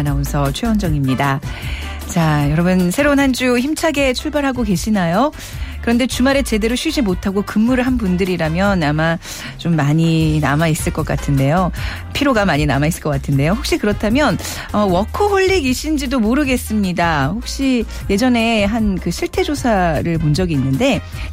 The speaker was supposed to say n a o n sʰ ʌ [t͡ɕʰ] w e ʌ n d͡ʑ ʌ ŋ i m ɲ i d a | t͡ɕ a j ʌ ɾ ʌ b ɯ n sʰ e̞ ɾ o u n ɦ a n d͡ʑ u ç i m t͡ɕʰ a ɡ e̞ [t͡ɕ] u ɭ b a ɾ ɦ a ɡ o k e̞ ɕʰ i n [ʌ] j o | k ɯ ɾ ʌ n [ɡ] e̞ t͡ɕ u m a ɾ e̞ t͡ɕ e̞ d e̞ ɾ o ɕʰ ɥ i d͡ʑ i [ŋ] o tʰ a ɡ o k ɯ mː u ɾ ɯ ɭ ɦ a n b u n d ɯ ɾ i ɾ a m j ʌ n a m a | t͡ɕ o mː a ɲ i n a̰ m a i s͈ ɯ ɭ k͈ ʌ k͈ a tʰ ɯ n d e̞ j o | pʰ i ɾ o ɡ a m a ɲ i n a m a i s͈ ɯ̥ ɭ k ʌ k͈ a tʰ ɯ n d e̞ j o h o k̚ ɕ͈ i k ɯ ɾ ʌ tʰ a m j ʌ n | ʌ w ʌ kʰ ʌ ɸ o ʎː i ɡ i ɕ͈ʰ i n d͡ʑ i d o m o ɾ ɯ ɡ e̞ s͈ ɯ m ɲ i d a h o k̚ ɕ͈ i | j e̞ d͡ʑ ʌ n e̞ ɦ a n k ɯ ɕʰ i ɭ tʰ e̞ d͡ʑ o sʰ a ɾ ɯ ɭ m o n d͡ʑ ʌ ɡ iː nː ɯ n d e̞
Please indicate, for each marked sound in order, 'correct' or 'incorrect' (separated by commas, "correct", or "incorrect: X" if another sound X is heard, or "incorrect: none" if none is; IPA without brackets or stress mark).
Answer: correct, incorrect: t͡ɕʰ, incorrect: a, incorrect: d, incorrect: m